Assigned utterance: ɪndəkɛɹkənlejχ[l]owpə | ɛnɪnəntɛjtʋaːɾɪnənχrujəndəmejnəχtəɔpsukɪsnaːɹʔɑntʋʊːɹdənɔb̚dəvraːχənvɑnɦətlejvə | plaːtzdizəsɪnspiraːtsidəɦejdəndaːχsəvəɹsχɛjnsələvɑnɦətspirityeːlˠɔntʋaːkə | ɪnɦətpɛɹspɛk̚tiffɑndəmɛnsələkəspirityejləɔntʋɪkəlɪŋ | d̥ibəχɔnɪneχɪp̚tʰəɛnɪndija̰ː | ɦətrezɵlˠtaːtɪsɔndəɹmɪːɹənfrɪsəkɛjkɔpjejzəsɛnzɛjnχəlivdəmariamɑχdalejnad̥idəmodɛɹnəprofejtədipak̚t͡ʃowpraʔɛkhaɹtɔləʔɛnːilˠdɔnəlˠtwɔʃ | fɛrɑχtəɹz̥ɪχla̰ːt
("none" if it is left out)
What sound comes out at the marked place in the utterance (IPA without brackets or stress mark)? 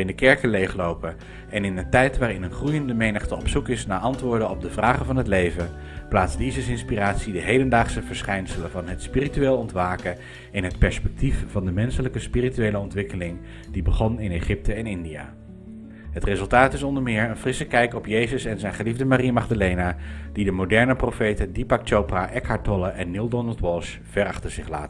l